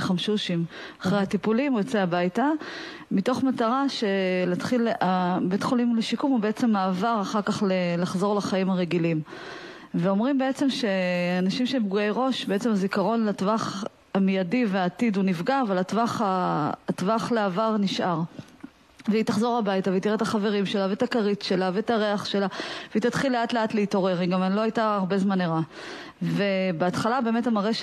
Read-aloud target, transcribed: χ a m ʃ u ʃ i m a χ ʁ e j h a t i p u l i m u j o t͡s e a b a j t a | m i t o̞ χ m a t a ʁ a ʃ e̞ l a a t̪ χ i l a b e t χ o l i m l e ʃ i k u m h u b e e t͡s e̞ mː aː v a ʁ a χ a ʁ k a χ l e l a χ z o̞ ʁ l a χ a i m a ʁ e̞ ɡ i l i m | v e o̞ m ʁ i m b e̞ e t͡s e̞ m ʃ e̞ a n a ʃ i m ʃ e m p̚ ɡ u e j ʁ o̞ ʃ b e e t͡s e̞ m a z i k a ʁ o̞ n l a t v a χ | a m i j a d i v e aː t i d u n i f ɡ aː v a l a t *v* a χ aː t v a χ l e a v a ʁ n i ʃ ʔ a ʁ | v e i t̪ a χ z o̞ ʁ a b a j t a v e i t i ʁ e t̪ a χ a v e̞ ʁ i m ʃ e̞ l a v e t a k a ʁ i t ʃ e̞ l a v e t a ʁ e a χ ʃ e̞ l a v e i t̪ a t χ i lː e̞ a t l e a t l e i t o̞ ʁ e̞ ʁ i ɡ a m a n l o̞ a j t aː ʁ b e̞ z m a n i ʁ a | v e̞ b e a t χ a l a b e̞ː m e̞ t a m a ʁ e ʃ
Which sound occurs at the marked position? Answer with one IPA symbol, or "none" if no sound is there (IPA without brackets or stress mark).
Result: v